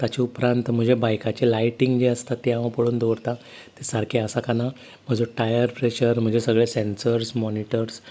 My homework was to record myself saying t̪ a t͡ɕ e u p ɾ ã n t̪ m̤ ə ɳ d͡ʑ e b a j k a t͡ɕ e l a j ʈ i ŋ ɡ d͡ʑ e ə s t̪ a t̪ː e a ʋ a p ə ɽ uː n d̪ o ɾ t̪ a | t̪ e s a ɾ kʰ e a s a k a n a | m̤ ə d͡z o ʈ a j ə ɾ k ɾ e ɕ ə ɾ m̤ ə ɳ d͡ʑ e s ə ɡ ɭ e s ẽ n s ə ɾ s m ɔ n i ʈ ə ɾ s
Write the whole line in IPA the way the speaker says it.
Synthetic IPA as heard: t̪ a t͡ɕ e u p ɾ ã n t̪ m̤ ə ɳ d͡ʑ e b a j k a t͡ɕ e l a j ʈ i ŋ ɡ d͡ʑ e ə s t̪ a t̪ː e a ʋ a p ə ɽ uː n d̪ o ɾ t̪ a | t̪ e s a ɾ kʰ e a s a k a n a | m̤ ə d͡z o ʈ a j ə ɾ p ɾ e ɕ ə ɾ m̤ ə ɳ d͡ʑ e s ə ɡ ɭ e s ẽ n s ə ɾ s m ɔ n i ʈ ə ɾ s

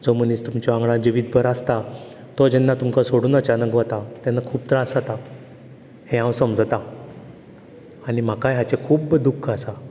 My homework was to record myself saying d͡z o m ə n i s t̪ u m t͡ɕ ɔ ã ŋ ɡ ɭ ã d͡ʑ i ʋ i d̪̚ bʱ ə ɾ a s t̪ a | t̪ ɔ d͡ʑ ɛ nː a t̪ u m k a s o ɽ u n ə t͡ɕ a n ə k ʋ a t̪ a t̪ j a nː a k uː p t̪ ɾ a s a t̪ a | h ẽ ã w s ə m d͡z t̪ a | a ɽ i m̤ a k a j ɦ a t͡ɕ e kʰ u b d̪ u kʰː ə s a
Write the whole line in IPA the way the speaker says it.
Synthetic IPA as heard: d͡z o m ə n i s t̪ u m t͡ɕ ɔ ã ŋ ɡ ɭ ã d͡ʑ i ʋ i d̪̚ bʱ ə ɾ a s t̪ a | t̪ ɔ d͡ʑ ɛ nː a t̪ u m k a s o ɽ uː n ə t͡ɕ a n ə k ʋ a t̪ a t̪ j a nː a kʰ uː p t̪ ɾ a s a t̪ a | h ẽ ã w s ə m d͡z t̪ a | a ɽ i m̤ a k a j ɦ a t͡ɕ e kʰ uː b d̪ u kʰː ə s a

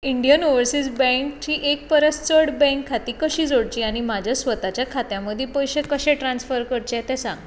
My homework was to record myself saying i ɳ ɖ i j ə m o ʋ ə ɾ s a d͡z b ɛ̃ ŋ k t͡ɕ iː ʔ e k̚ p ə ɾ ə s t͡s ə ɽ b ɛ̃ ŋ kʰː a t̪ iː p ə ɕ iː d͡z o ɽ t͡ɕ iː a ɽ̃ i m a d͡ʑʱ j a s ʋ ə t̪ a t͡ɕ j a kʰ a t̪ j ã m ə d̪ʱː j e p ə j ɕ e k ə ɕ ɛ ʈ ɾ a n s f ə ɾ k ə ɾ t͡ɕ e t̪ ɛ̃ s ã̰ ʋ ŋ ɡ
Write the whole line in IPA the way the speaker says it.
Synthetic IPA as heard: i ɳ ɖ i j ə n o ʋ ə ɾ s i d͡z b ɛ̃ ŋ k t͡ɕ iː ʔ e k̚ p ə ɾ ə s t͡s ə ɽ b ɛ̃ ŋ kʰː a t̪ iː k ə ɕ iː d͡z o ɽ t͡ɕ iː a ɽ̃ i m a d͡ʑʱ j a s ʋ ə t̪ a t͡ɕ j a kʰ a t̪ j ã m ə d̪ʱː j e p ə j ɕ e k ə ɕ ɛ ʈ ɾ a n s f ə ɾ k ə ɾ t͡ɕ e t̪ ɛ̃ s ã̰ ŋ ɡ

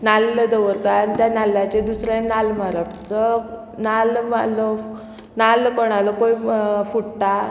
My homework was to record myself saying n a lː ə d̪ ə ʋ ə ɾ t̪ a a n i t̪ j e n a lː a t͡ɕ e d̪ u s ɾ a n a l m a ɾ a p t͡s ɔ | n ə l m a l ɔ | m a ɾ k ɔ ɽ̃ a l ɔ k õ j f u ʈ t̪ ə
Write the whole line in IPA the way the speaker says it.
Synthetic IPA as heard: n a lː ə d̪ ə ʋ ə ɾ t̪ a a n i t̪ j a n a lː a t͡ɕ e d̪ u s ɾ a n a l m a ɾ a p t͡s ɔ | n a l m a l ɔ | n a l k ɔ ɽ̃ a l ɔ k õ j f u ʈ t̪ a

